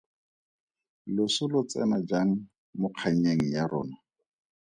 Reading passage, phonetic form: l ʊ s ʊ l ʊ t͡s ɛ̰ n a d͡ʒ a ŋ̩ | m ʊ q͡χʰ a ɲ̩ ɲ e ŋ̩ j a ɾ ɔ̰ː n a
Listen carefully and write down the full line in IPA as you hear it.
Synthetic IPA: l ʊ s ʊ l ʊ t͡s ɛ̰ n a d͡ʒ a ŋ̩ | m ʊ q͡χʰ a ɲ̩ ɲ e ŋ̩ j a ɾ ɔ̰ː n a